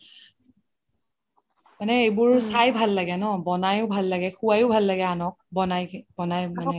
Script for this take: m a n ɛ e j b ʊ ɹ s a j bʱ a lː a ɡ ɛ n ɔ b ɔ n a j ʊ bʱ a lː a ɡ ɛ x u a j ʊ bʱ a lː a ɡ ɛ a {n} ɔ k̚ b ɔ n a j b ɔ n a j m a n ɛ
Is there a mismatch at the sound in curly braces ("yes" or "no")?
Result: no